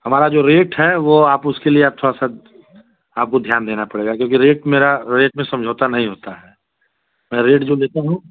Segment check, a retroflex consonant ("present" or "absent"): present